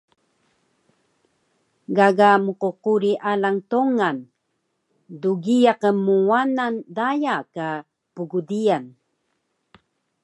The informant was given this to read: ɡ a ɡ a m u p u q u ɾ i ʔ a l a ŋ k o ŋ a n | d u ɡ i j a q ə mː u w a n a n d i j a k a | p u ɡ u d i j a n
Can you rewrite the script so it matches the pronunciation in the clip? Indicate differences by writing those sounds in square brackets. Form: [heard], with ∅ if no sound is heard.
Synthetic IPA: ɡ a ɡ a m u [q] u q u ɾ i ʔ a l a ŋ [t] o ŋ a n | d u ɡ i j a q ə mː u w a n a n d [a] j a k a | p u ɡ u d i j a n